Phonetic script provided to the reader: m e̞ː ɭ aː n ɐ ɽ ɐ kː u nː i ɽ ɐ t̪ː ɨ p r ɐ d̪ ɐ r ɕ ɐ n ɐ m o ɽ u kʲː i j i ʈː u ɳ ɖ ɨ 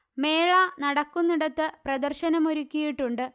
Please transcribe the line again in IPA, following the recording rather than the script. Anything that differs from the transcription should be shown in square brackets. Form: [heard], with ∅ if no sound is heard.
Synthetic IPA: m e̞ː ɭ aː n ɐ ɽ ɐ kː u nː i ɽ ɐ t̪ː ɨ p r ɐ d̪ ɐ r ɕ ɐ n ɐ m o [ɾ] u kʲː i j i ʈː u ɳ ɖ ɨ